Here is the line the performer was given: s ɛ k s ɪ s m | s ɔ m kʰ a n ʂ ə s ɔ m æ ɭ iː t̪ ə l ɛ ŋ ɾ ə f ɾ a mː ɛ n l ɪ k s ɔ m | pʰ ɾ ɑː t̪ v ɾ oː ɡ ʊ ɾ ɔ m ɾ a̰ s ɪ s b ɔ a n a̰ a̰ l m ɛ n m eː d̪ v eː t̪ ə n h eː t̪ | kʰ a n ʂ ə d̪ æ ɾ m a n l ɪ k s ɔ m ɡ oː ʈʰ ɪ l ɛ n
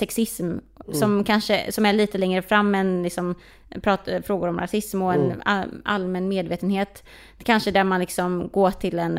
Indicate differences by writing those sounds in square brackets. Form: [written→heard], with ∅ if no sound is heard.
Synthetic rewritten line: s ɛ k s ɪ s m | s ɔ m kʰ a n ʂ ə s ɔ m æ ɭ iː t̪ ə l ɛ ŋ ɾ ə f ɾ a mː ɛ n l ɪ k s ɔ m | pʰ ɾ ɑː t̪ [v→f] ɾ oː ɡ ʊ ɾ ɔ m ɾ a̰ s ɪ s [b→m] ɔ [a→ɛ] n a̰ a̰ l m ɛ n m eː d̪ v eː t̪ ə n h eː t̪ | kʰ a n ʂ ə d̪ æ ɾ m a n l ɪ k s ɔ m ɡ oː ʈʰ ɪ l ɛ n